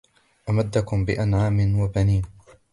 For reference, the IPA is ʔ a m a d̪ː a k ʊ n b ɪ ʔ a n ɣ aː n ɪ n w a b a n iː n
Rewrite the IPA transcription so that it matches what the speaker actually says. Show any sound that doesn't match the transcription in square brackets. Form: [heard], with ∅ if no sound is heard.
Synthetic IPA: ʔ a m a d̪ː a k ʊ [m] b ɪ ʔ a n [ʕ] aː [m] ɪ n w a b a n iː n